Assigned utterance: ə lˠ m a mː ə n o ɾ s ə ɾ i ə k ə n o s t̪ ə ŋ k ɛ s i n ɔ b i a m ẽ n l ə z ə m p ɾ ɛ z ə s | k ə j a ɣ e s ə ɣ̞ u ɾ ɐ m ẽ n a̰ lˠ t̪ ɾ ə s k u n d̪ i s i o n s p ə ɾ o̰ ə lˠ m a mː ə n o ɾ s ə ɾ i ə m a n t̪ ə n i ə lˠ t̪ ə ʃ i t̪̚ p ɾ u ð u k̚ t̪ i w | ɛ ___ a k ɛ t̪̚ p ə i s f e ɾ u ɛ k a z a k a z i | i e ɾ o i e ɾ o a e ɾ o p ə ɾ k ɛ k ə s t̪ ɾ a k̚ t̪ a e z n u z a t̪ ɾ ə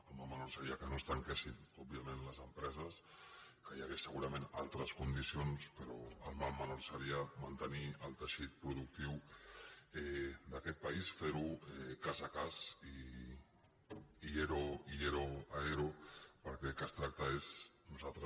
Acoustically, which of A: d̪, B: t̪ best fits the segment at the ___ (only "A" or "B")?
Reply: A